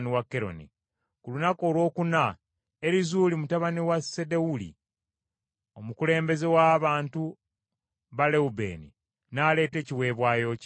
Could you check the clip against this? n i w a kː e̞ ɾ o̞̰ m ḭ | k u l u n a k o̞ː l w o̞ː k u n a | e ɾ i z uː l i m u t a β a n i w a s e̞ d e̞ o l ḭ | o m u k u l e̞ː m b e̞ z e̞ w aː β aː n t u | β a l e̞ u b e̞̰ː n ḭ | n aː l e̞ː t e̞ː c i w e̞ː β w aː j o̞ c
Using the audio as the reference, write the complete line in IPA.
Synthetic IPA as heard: n i w a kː e̞ ɾ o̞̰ n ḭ | k u l u n a k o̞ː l w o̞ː k u n a | e ɾ i z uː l i m u t a β a n i w a s e̞ d e̞ u l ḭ | o m u k u l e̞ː m b e̞ z e̞ w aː β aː n t u | β a l e̞ u b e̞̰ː n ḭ | n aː l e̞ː t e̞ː c i w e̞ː β w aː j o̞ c